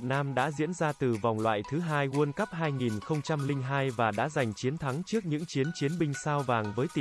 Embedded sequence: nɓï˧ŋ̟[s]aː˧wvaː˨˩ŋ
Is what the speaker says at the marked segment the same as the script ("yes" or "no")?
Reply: yes